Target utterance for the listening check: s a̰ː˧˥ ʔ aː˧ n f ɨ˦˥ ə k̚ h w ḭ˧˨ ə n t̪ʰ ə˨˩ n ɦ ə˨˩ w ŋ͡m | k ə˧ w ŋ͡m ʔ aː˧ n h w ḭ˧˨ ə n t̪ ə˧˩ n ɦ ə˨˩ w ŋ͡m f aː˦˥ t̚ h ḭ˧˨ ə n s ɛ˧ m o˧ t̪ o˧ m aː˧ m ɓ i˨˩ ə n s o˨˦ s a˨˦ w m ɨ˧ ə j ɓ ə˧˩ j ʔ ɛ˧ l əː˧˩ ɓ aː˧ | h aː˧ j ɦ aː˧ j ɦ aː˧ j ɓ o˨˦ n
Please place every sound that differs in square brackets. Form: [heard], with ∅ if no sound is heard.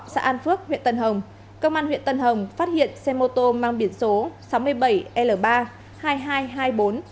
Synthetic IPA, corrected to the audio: s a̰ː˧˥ ʔ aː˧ n f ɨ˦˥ ə k̚ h w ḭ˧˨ ə n [t̪] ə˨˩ n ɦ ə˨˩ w ŋ͡m | k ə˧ w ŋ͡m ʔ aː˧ n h w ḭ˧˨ ə n t̪ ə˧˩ n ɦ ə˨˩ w ŋ͡m f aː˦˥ t̚ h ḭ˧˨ ə n s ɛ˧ m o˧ t̪ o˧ m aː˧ [ŋ] ɓ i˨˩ ə n s o˨˦ s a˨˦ w m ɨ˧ ə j ɓ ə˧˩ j ʔ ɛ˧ l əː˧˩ ɓ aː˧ | h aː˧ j ɦ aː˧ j ɦ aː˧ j ɓ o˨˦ n